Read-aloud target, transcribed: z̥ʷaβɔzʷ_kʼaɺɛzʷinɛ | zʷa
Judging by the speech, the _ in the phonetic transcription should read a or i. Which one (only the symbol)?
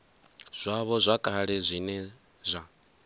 a